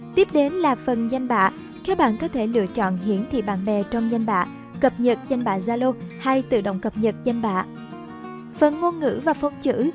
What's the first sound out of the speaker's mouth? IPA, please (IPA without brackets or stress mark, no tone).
t̪